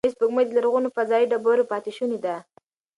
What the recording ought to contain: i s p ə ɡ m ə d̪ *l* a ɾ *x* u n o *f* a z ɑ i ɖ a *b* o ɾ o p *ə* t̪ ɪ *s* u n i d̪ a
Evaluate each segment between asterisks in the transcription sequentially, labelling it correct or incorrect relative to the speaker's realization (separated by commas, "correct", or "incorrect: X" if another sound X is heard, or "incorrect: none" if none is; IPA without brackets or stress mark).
correct, incorrect: ɣ, correct, correct, incorrect: ɑ, incorrect: ʃ